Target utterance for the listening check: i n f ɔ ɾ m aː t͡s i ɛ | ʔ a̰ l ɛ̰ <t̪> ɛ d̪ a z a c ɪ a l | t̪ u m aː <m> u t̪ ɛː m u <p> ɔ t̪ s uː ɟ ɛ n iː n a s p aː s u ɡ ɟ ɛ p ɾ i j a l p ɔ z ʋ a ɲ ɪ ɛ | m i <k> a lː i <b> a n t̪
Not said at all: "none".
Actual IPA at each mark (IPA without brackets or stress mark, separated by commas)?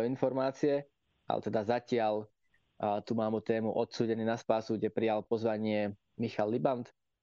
t̪, m, ʔ, x, b